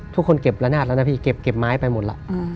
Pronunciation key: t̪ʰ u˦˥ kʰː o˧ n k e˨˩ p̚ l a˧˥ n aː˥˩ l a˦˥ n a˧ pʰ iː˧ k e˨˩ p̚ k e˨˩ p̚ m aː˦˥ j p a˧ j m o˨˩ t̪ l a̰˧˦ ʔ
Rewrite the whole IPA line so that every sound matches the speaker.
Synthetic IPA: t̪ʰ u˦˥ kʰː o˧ n k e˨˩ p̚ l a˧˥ n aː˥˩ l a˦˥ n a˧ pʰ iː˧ k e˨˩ p̚ k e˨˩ p̚ m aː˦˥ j p a˧ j m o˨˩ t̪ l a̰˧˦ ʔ